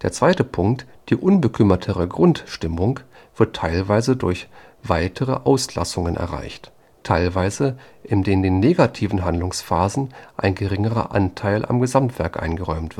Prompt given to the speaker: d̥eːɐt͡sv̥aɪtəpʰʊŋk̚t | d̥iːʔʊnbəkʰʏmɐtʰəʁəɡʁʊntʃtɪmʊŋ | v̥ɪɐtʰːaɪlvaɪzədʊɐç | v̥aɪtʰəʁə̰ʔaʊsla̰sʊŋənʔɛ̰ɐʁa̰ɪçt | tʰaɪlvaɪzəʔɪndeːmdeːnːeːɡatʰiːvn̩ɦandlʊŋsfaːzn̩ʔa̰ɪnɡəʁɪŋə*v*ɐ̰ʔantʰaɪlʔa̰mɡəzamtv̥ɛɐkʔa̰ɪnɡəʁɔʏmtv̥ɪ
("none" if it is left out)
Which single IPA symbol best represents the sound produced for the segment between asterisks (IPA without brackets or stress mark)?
ʁ